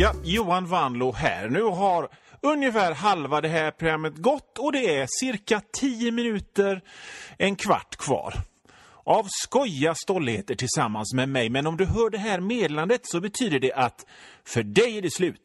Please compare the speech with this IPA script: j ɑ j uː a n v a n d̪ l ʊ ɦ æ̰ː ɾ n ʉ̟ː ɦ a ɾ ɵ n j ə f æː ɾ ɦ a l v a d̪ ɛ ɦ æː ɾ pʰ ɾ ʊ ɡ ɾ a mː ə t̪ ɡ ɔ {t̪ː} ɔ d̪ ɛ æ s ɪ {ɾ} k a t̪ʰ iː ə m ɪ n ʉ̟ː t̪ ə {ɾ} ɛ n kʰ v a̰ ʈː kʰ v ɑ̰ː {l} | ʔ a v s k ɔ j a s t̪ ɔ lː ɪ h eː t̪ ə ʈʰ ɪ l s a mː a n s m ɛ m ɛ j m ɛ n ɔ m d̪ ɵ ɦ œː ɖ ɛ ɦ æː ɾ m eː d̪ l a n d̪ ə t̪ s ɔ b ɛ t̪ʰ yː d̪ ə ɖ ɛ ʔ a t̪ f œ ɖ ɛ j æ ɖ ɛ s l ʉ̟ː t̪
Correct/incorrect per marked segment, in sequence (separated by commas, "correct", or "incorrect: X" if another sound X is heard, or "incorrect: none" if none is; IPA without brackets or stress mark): correct, correct, correct, incorrect: ɾ